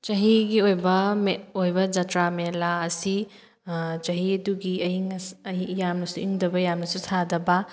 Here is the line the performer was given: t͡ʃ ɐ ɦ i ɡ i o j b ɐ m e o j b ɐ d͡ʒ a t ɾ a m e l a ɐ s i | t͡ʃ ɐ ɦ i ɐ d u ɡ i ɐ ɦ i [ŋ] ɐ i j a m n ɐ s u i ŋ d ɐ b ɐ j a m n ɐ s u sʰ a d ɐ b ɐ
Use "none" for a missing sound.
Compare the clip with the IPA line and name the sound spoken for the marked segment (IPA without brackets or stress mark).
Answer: ŋ